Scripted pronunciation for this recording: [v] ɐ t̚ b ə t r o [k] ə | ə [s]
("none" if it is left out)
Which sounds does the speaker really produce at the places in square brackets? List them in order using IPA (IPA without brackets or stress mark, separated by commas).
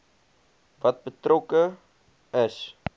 v, k, s